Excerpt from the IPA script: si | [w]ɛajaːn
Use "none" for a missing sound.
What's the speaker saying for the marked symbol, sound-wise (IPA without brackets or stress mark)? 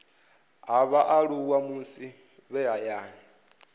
β